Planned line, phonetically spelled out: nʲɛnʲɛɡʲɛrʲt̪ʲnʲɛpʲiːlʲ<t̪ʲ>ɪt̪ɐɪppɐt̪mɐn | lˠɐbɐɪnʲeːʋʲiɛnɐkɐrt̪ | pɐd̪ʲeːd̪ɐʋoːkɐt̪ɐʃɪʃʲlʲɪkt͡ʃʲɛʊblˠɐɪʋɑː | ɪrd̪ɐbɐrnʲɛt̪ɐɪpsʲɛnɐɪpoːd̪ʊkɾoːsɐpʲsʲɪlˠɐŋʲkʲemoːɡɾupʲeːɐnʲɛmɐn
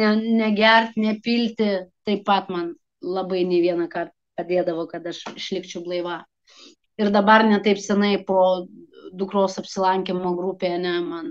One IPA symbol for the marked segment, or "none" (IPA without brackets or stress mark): t̪ʲ